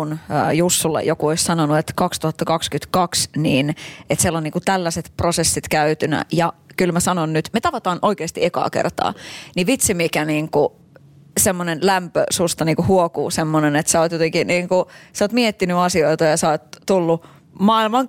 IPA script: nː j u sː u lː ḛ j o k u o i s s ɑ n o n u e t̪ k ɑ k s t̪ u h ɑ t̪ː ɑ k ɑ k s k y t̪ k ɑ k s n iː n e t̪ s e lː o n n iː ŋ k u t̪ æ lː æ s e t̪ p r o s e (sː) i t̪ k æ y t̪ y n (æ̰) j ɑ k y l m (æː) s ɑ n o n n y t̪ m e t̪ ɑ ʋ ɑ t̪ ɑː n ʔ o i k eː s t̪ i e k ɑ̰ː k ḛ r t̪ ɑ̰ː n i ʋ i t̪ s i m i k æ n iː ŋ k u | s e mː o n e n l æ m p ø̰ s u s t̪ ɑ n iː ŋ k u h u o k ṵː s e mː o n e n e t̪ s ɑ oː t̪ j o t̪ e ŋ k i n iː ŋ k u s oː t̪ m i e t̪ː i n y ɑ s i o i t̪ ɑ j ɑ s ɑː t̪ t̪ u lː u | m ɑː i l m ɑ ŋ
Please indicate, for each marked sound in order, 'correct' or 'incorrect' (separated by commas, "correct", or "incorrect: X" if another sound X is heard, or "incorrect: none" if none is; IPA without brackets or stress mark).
correct, correct, incorrect: æ